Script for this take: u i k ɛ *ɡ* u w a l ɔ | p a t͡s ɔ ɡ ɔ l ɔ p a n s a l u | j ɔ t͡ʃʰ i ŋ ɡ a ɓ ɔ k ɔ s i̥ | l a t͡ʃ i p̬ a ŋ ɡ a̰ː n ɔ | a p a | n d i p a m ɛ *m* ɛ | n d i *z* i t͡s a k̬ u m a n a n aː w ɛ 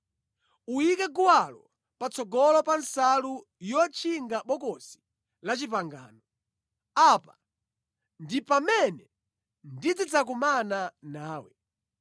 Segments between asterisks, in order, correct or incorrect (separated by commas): correct, incorrect, incorrect